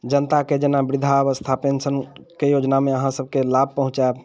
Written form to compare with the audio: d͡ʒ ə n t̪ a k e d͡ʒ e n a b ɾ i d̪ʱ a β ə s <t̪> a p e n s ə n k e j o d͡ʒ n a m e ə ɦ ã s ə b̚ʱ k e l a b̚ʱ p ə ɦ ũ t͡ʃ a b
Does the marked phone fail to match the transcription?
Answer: yes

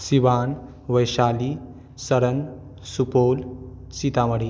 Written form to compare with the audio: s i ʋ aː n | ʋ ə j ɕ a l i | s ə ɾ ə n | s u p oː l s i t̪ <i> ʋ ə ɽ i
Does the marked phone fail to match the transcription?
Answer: yes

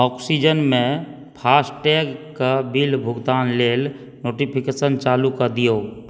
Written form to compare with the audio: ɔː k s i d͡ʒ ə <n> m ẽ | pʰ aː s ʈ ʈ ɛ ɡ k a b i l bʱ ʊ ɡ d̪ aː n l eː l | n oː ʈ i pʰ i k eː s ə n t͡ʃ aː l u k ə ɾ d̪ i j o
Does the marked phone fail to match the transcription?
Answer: no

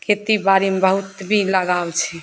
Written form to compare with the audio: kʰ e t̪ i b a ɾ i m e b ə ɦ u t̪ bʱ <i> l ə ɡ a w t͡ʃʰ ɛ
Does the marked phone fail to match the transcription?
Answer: no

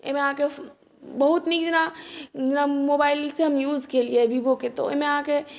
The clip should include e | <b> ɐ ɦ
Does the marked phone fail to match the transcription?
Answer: no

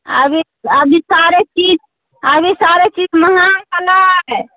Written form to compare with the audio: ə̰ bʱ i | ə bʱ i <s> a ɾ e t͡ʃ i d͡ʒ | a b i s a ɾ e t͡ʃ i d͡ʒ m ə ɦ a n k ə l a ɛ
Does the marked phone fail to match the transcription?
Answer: no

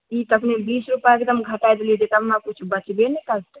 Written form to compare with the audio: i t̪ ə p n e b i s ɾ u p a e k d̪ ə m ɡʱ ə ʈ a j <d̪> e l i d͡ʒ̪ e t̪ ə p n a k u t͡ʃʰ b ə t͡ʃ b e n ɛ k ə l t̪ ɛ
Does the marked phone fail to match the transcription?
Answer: no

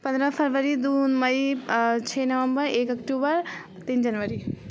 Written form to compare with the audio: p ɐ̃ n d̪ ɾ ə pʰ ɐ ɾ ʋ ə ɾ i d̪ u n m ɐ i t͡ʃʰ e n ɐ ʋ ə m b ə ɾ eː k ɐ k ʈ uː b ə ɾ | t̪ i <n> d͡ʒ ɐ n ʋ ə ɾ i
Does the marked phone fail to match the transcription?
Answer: no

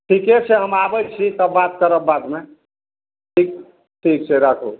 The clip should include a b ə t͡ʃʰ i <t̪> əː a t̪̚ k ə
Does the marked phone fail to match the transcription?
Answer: no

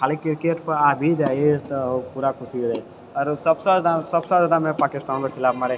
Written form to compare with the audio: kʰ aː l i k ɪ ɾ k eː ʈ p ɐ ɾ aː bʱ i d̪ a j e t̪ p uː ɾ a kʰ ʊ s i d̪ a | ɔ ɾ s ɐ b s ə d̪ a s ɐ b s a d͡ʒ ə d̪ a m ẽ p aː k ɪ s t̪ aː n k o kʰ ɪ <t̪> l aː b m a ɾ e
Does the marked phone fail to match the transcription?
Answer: yes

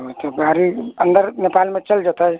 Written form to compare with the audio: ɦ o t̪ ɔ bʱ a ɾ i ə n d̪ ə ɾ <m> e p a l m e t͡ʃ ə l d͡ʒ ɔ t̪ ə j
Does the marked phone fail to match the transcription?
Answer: yes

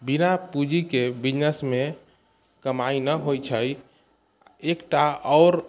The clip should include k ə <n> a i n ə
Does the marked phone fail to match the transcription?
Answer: yes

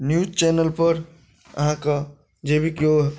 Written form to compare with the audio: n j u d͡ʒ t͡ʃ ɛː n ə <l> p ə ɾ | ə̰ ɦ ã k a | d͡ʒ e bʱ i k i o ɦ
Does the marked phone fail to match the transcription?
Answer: no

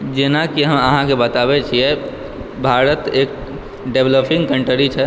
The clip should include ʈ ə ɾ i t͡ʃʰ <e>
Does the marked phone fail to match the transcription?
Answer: yes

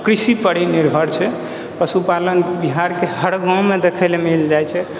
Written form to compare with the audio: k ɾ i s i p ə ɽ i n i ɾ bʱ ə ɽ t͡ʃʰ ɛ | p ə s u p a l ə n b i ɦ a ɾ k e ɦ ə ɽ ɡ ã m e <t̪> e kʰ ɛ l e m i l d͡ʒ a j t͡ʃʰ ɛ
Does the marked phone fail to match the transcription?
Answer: yes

